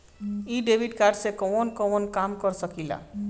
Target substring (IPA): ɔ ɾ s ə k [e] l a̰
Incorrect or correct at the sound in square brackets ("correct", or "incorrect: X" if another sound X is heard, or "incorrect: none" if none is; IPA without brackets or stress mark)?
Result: incorrect: i